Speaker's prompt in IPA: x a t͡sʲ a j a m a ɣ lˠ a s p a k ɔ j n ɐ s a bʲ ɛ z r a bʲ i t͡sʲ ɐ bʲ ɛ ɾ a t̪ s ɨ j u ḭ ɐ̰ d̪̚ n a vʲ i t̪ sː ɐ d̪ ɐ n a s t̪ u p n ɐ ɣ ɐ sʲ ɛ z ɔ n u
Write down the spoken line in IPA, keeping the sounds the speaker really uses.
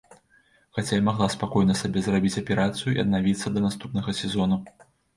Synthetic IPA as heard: x a t͡sʲ a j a m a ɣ lˠ a s p a k ɔ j n ɐ s a bʲ ɛ z r a bʲ i t͡sʲ ɐ pʲ ɛ ɾ a t̪ s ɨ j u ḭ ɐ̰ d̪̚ n a vʲ i t̪ sː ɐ d̪ ɐ n a s t̪ u p n ɐ ɣ ɐ sʲ ɛ z ɔ n u